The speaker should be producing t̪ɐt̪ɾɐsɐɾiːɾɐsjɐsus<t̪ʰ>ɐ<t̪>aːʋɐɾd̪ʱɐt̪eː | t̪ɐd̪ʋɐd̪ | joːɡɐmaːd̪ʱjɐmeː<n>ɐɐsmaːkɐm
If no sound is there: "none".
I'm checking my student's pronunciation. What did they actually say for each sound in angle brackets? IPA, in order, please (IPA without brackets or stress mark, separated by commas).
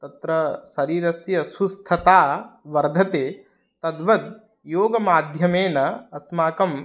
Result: t̪ʰ, t̪, n